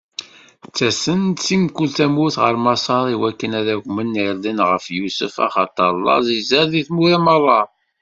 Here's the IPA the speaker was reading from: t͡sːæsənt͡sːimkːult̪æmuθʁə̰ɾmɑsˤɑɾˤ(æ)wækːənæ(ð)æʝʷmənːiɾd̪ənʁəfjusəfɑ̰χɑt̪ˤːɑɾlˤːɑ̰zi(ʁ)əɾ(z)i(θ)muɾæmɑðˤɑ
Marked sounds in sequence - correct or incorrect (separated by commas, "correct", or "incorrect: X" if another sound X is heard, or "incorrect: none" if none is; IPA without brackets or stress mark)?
incorrect: i, correct, incorrect: z, incorrect: ð, correct